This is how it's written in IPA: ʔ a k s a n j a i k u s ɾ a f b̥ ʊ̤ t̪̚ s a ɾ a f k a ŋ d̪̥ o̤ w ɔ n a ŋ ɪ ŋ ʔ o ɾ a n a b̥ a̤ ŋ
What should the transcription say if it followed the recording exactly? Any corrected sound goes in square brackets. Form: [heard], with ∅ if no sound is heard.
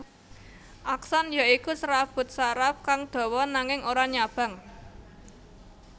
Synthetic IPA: ʔ a k s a n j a i k u s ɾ a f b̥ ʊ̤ t̪̚ s a ɾ a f k a ŋ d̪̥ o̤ w ɔ n a ŋ ɪ ŋ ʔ o ɾ a [ɲ] a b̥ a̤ ŋ